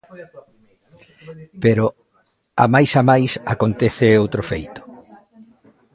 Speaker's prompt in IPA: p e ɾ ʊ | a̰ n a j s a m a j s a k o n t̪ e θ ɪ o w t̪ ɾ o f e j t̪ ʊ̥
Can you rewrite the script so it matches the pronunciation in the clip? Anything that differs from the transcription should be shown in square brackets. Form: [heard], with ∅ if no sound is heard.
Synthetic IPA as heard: p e ɾ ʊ | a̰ [m] a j s a m a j s a k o n t̪ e θ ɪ o w t̪ ɾ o f e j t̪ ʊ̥